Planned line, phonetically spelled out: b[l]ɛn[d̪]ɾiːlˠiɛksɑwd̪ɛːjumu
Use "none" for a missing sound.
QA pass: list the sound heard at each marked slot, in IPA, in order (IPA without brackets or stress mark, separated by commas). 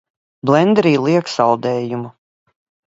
l, d̪